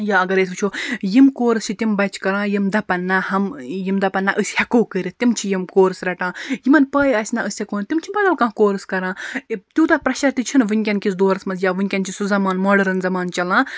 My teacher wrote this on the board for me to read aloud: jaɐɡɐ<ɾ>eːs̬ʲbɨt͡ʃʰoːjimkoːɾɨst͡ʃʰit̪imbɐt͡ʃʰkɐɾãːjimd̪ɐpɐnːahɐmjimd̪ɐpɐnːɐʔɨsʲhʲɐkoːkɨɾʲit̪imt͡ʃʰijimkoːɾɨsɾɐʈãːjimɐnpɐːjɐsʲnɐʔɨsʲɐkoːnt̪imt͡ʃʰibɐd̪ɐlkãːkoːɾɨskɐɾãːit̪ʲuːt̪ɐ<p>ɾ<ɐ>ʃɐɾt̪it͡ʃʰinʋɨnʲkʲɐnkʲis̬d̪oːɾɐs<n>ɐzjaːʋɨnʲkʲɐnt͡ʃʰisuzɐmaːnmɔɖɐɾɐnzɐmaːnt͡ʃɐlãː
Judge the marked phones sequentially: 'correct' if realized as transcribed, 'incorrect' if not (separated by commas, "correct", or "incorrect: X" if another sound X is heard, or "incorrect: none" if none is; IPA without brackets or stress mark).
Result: correct, correct, correct, incorrect: m